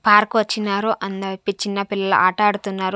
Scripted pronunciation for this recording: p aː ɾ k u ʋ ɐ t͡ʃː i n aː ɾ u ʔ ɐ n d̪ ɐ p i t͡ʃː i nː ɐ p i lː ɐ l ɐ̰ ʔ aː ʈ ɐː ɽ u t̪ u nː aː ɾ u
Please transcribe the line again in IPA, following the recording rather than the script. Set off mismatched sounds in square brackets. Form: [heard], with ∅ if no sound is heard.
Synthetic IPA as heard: p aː ɾ k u ʋ ɐ t͡ʃː i n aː ɾ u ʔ ɐ n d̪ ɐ p i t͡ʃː i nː ɐ p i lː ɐ l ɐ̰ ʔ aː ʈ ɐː ɽ u t̪ u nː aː ɾ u